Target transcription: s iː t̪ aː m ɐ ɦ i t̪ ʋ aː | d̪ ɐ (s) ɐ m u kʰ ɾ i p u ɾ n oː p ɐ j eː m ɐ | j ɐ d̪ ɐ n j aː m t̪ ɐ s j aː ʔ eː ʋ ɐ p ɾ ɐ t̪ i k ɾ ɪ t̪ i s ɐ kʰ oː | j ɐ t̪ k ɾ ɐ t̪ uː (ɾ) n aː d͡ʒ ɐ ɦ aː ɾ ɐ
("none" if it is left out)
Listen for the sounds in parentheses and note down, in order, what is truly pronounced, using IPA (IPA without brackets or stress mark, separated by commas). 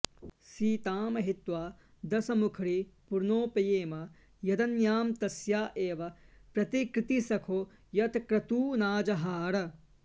s, none